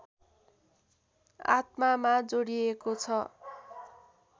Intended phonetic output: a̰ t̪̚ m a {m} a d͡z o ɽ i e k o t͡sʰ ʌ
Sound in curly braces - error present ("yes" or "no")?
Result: no